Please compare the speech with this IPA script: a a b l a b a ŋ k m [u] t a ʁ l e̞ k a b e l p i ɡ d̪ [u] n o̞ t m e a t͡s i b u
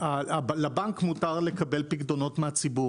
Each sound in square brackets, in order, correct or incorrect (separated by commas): correct, incorrect